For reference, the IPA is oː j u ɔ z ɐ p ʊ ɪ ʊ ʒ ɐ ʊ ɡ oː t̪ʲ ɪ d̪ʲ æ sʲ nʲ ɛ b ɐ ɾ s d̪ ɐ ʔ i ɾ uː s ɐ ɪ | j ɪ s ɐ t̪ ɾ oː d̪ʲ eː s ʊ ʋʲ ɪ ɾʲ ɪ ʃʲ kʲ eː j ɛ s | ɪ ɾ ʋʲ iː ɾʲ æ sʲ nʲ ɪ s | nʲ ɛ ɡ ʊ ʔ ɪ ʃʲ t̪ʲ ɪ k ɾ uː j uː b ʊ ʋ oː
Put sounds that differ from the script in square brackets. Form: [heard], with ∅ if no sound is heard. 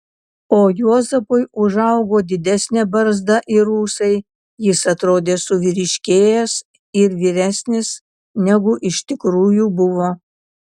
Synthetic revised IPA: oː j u ɔ z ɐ p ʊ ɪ ʊ ʒ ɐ ʊ ɡ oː [d̪ʲ] ɪ d̪ʲ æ sʲ nʲ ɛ b ɐ ɾ [z] d̪ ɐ ʔ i ɾ uː s ɐ ɪ | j ɪ s ɐ t̪ ɾ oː d̪ʲ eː s ʊ ʋʲ ɪ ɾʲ ɪ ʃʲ kʲ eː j ɛ s | ɪ ɾ ʋʲ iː ɾʲ æ sʲ nʲ ɪ s | nʲ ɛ ɡ ʊ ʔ ɪ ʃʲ t̪ʲ ɪ k ɾ uː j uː b ʊ ʋ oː